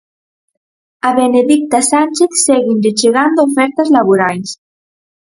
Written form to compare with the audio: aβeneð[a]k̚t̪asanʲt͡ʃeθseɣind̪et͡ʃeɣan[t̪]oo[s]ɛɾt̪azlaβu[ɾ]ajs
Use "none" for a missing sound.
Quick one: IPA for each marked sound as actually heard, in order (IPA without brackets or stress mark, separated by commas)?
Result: i, d̪, f, ɾ